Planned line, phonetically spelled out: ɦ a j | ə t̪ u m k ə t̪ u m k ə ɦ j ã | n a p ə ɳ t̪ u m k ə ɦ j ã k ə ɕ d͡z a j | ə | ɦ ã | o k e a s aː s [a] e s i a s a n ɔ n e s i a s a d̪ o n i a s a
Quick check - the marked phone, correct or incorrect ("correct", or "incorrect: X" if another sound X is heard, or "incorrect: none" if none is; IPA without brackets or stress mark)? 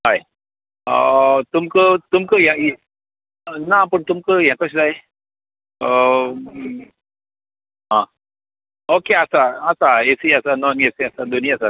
correct